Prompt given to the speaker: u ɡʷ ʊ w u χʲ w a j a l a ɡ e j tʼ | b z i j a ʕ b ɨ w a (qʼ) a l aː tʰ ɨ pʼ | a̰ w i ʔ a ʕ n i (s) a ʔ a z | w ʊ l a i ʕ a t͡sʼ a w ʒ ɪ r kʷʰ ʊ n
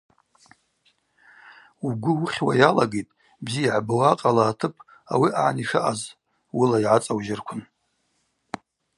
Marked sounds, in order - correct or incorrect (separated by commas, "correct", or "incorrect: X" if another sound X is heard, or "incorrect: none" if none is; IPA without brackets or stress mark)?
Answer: correct, incorrect: ʂ